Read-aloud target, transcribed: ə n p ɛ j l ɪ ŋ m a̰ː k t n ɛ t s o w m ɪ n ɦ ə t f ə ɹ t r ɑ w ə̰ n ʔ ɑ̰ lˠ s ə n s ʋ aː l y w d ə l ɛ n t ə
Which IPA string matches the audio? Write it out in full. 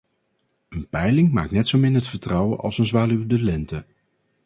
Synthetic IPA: ə n p ɛ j l ɪ ŋ m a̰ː k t n ɛ t s o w m ɪ n ɦ ə t f ə ɹ t r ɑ w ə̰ n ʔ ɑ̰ lˠ s ə n z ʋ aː l y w d ə l ɛ n t ə